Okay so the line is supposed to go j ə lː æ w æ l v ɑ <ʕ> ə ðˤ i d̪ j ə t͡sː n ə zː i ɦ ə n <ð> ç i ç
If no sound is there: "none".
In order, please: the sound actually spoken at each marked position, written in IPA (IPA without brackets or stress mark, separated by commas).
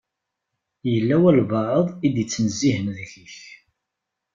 ʕ, ð